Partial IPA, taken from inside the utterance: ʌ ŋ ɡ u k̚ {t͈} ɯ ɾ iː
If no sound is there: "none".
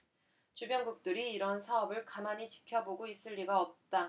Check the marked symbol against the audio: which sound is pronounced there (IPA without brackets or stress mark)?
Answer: t͈